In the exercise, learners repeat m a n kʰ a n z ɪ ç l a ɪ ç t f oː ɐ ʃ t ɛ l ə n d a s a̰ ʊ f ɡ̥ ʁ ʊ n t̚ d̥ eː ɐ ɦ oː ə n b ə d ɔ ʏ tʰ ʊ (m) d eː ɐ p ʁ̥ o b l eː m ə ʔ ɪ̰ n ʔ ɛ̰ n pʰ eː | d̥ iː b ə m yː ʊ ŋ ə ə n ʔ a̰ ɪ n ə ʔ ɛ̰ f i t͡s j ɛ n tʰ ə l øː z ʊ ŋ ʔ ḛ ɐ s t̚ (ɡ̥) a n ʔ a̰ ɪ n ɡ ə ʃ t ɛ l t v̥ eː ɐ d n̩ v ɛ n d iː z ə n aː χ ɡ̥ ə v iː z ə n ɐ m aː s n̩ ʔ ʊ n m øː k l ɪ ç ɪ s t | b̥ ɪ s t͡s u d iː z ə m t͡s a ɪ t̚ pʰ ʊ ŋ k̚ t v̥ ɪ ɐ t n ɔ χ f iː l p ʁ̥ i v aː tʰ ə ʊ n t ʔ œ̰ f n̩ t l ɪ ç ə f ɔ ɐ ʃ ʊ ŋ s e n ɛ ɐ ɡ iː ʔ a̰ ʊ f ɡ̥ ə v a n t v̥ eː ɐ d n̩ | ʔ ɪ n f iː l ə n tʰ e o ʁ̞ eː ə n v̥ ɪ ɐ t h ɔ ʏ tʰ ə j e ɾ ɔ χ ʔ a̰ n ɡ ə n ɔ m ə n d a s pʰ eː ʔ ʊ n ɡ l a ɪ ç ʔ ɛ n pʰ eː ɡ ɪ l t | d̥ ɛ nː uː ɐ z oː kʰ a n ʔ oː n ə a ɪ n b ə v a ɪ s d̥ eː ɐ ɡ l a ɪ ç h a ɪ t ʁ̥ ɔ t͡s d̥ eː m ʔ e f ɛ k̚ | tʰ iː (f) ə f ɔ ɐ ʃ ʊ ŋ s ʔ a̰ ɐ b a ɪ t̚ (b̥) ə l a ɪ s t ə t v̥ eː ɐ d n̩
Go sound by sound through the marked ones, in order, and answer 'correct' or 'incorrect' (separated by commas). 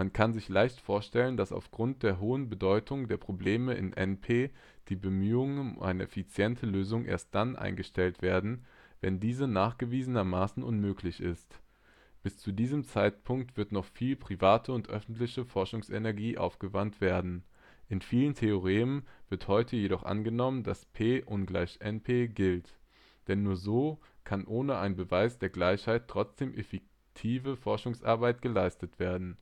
incorrect, incorrect, incorrect, incorrect